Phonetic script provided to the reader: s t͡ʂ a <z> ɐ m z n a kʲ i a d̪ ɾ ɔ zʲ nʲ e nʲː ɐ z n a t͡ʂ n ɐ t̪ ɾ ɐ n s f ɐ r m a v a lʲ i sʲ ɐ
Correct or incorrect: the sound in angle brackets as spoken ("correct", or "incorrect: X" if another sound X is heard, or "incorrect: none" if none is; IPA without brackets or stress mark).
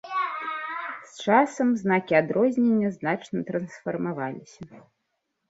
incorrect: s